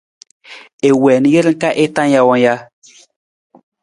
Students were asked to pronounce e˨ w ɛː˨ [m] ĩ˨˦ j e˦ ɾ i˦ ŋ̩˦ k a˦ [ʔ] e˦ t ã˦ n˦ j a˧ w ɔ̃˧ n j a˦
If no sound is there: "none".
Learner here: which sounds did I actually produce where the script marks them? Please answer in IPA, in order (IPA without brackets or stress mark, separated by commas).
n, ʔ